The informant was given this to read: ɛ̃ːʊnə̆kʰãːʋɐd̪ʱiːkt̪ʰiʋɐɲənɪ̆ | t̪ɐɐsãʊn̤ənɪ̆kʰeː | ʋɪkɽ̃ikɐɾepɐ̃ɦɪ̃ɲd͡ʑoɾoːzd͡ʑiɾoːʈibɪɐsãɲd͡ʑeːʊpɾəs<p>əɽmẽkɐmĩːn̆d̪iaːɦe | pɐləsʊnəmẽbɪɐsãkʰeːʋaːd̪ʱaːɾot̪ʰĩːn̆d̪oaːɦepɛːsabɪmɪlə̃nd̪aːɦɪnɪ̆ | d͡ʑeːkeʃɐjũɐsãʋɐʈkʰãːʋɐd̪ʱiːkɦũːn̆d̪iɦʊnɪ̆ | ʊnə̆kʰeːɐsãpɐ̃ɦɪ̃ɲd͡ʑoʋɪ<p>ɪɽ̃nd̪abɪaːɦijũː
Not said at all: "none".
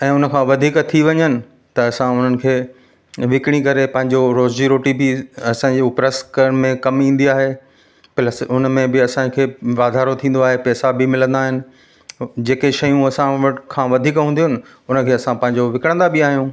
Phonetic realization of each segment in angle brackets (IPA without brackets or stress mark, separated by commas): k, k